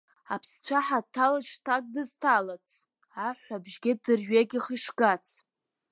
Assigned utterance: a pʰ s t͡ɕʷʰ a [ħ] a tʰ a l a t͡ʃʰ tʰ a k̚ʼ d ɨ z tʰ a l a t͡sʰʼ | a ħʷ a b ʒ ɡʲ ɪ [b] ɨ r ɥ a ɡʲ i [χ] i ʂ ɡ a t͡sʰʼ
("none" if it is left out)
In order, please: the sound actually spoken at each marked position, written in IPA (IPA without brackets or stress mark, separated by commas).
ħ, d, χ